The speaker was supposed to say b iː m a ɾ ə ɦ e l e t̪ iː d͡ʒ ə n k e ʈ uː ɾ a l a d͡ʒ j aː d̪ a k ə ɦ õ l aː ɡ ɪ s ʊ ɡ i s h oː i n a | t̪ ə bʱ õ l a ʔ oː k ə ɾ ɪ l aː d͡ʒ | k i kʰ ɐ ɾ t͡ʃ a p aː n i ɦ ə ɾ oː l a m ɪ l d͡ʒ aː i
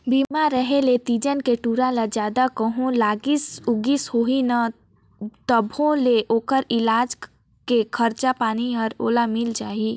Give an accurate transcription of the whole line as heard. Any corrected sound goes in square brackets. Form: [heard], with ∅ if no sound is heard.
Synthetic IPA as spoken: b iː m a ɾ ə ɦ e l e t̪ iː d͡ʒ ə n k e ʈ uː ɾ a l a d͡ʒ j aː d̪ a k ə ɦ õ l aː ɡ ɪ s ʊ ɡ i s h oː i n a | t̪ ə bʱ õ l [e] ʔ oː k ə ɾ ɪ l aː d͡ʒ | k [e] kʰ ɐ ɾ t͡ʃ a p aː n i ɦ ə ɾ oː l a m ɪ l d͡ʒ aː i